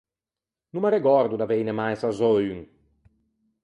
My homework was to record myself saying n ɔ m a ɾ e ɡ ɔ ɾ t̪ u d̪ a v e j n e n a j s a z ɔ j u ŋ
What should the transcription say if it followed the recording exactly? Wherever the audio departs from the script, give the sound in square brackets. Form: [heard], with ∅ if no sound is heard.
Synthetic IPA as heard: n [u] m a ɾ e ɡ ɔ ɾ [d̪] u d̪ a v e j n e [m] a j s a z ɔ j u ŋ